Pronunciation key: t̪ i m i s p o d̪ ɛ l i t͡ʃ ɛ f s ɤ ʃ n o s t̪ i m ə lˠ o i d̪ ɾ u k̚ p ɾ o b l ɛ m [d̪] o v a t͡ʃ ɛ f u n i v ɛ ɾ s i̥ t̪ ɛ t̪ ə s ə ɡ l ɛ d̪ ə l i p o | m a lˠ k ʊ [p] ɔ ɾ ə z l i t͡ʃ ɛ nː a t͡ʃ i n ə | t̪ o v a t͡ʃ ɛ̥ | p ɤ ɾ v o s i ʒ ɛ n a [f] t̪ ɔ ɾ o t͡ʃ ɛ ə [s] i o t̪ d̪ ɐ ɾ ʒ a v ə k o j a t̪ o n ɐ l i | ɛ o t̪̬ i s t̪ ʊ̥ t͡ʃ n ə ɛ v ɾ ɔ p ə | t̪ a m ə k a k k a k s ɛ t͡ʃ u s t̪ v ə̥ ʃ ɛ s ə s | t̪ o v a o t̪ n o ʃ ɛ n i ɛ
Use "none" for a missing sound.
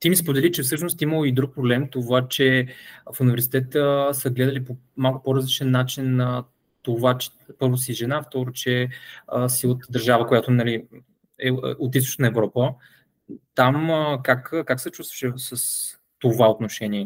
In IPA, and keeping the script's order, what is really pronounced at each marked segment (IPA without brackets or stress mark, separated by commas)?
t̪, p, f, s